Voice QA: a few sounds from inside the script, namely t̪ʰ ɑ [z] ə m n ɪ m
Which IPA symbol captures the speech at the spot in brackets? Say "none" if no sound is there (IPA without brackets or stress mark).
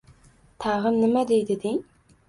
ʁ